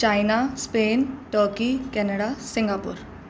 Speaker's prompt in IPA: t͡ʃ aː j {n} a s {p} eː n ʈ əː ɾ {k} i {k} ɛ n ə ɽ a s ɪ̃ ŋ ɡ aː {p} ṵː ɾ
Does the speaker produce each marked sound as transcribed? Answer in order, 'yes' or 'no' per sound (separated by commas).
yes, yes, yes, yes, yes